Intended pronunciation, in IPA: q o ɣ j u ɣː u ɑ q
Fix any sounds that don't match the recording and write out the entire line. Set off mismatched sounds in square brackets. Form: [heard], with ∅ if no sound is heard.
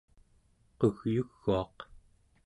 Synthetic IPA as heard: q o ɣ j u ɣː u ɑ q